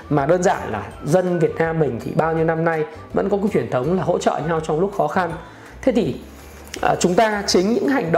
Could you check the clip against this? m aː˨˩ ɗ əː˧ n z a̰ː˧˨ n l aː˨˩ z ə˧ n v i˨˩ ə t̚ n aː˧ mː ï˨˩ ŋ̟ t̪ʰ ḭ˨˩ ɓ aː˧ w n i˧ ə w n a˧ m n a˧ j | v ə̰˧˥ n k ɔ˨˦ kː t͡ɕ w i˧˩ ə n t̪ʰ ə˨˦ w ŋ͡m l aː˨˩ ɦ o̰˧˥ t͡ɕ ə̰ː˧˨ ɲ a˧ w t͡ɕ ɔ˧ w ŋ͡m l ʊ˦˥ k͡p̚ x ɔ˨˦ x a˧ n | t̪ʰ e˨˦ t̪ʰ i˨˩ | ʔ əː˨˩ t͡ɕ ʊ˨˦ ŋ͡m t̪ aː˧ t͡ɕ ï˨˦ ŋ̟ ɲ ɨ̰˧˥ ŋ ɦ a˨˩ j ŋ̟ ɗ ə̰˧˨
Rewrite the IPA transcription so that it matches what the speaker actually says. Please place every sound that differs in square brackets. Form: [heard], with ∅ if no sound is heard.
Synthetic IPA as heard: m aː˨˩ ɗ əː˧ n z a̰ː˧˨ n l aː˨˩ z ə˧ n v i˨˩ ə t̚ n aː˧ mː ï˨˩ ŋ̟ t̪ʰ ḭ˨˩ ɓ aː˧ w [ɲ] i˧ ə w n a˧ m n a˧ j | v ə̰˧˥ n k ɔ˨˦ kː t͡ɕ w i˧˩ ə n t̪ʰ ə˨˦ w ŋ͡m l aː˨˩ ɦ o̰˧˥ t͡ɕ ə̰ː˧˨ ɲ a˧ w t͡ɕ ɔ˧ w ŋ͡m l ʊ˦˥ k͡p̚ x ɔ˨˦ x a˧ n | t̪ʰ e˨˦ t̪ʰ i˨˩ | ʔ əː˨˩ t͡ɕ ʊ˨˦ ŋ͡m t̪ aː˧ t͡ɕ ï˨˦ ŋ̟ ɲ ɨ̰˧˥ ŋ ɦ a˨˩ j ŋ̟ ɗ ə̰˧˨